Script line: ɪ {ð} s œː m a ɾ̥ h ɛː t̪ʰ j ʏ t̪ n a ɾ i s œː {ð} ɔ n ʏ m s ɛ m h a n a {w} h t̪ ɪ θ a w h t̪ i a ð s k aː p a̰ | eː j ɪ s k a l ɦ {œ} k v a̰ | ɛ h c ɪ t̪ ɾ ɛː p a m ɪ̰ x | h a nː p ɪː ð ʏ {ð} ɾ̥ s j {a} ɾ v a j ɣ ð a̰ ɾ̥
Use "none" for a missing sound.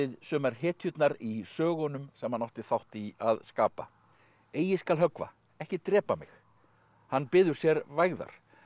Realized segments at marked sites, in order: ð, ɣ, w, œ, none, ɛ

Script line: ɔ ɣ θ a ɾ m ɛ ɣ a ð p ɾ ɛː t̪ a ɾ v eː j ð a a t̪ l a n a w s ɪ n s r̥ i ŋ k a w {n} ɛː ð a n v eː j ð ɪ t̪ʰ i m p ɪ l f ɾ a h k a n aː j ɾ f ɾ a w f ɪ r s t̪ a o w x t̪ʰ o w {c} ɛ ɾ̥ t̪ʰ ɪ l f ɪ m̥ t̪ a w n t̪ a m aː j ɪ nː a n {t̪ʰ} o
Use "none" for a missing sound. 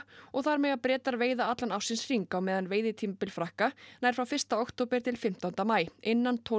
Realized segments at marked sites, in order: m, p, t̪ʰ

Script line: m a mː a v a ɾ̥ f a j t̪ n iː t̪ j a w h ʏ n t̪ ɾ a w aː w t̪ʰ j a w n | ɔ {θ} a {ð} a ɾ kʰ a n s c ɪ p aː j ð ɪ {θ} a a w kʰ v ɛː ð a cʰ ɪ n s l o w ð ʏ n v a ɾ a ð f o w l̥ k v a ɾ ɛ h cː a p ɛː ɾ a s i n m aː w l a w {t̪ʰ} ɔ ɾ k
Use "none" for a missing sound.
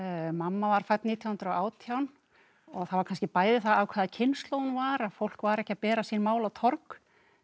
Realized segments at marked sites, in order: θ, v, θ, t̪ʰ

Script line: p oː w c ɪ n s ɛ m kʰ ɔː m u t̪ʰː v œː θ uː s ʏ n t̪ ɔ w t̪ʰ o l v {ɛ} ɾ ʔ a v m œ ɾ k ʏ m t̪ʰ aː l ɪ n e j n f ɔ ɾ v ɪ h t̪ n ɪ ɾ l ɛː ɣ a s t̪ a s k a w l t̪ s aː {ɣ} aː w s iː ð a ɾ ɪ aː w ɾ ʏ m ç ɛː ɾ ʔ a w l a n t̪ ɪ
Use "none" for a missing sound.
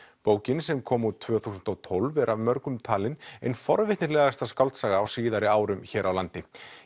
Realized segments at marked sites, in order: ɛ, ɣ

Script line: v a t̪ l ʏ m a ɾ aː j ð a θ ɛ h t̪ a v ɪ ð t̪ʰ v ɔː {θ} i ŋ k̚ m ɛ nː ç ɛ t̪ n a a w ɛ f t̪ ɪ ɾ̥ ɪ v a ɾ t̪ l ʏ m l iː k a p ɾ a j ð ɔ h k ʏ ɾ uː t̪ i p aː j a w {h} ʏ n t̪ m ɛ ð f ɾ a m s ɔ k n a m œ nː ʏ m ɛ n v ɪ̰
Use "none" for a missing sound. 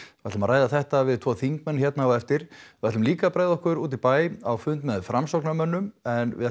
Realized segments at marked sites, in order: θ, f

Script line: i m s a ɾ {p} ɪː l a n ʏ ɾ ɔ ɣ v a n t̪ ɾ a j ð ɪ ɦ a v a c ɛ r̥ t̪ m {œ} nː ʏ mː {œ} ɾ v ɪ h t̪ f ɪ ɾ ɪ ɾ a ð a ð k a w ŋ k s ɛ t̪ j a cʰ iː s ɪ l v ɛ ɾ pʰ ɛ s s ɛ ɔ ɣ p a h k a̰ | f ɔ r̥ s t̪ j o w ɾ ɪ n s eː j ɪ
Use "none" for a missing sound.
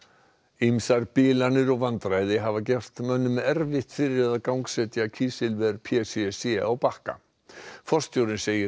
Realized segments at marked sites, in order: p, œ, ɛ

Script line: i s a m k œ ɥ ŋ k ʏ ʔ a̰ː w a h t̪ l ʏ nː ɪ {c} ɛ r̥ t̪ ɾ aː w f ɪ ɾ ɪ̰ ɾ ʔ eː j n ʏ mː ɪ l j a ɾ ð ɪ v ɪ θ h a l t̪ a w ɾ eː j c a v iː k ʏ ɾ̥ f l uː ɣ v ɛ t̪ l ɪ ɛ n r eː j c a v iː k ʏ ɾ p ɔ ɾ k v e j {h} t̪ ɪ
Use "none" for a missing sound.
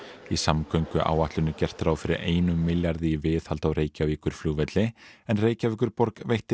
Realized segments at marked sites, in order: c, h

